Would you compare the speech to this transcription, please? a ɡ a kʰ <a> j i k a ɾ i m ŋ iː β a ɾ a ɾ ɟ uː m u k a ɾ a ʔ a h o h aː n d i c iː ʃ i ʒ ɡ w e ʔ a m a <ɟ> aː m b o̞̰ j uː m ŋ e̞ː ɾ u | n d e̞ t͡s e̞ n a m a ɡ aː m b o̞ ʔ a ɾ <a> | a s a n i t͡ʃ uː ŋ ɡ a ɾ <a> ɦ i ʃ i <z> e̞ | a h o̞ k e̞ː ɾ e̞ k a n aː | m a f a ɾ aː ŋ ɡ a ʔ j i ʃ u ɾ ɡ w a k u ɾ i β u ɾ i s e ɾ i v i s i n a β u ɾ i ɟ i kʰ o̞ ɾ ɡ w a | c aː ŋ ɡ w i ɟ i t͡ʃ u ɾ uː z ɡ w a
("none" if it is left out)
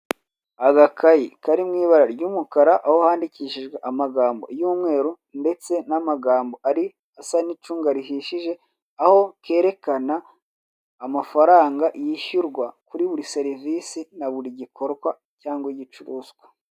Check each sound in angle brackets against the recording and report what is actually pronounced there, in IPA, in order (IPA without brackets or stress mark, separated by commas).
a, ɡ, i, i, ʒ